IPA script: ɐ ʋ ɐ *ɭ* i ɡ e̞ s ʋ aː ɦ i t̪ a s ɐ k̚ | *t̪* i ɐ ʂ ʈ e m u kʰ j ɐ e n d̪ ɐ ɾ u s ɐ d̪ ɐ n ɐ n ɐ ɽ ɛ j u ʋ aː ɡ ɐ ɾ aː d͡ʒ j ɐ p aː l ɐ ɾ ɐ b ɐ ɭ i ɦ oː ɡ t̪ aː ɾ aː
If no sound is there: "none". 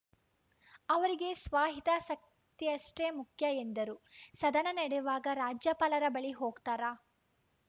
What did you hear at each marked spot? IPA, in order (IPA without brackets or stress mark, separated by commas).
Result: ɾ, t̪